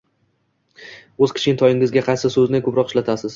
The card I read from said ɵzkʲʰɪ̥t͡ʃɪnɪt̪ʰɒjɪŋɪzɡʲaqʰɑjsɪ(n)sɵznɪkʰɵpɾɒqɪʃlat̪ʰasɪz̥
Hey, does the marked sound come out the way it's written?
no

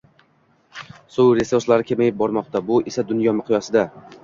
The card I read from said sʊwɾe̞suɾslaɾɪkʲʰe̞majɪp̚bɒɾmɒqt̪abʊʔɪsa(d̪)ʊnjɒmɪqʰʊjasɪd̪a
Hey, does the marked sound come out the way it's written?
yes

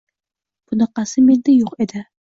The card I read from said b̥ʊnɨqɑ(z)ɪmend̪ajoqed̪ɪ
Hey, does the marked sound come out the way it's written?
no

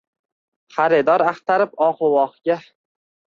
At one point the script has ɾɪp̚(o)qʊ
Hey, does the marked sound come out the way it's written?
no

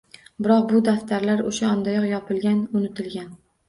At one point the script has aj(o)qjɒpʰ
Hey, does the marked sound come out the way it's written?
no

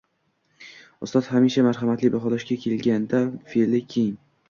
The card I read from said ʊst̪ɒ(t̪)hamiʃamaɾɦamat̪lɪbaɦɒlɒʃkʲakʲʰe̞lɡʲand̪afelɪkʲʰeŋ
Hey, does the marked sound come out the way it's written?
yes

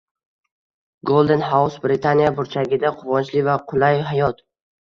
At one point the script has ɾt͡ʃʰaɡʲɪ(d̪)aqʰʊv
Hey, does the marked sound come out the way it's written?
yes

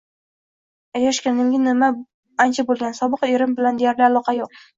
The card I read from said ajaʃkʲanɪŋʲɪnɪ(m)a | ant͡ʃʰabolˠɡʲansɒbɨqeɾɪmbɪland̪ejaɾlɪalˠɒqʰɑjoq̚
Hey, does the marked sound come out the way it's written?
yes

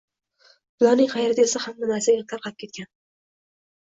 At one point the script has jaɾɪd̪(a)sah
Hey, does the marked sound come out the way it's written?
no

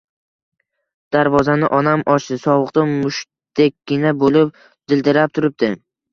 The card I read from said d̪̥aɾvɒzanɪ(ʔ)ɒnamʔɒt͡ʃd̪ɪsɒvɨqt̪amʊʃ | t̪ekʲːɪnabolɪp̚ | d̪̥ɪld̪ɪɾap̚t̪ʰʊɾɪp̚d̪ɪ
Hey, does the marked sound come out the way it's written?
yes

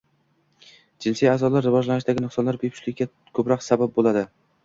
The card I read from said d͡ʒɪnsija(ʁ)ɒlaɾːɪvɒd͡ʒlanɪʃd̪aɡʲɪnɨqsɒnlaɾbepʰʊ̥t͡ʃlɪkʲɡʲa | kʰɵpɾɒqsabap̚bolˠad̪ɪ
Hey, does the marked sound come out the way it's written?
no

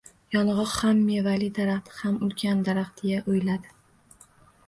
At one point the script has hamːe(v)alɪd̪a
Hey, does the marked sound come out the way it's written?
yes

